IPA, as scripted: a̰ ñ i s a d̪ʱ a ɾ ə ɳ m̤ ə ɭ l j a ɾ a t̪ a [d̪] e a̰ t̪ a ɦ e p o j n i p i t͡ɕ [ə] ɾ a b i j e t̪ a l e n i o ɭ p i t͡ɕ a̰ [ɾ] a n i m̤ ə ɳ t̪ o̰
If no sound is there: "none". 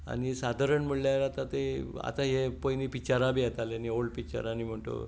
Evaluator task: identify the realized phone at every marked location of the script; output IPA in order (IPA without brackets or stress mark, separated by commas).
t̪, a, ɾ